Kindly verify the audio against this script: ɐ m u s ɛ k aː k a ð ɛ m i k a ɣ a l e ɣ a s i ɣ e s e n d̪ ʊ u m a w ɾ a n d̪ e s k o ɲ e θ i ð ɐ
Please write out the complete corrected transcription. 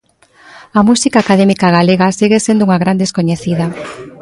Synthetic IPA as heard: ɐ m u s i k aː k a ð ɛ m i k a ɣ a l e ɣ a s i ɣ e s e n d̪ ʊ u ŋ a ɣ ɾ a n d̪ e s k o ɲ e θ i ð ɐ